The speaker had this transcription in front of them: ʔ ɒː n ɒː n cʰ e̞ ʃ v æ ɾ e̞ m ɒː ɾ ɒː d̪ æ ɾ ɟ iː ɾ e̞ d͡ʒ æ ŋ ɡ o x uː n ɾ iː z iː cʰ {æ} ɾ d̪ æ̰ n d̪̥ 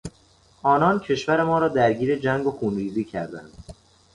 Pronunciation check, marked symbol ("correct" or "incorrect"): correct